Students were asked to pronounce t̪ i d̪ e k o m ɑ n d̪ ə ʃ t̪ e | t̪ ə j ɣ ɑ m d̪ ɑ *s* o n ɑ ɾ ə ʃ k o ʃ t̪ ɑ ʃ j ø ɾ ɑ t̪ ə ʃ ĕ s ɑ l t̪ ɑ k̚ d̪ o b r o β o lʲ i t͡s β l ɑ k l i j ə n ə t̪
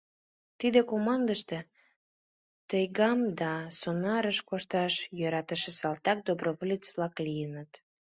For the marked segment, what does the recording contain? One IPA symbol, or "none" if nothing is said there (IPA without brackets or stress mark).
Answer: s